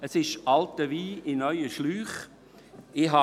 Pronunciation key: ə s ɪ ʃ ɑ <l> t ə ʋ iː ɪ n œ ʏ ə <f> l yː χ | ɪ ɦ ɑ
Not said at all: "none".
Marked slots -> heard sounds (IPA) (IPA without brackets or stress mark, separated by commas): l, ʃ